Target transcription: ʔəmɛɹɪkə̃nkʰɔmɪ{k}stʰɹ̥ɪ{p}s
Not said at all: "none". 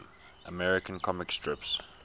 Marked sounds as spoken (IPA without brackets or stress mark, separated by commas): k, p